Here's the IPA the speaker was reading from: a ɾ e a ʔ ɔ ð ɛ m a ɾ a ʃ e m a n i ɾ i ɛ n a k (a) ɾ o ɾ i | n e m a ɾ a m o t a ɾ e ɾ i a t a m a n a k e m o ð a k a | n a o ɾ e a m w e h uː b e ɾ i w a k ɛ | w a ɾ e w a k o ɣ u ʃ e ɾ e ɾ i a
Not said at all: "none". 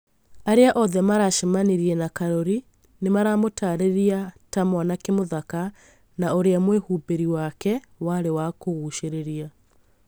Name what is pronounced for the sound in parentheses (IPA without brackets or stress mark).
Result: a